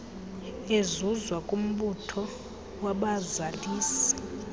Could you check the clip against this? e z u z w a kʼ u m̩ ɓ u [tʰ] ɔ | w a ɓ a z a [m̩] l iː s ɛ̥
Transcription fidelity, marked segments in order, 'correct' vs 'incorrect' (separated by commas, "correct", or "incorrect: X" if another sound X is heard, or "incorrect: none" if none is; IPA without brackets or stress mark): correct, incorrect: none